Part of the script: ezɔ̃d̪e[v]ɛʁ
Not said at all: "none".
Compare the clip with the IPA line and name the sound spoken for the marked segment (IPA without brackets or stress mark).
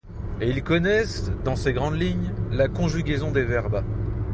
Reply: v